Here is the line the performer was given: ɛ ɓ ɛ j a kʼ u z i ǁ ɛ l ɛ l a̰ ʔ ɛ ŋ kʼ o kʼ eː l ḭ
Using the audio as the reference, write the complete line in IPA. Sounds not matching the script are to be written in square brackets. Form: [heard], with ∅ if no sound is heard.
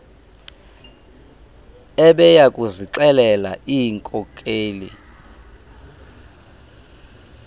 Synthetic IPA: ɛ ɓ ɛ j a kʼ u z i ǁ ɛ l ɛ l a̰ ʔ [i] ŋ kʼ [ɔ] kʼ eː l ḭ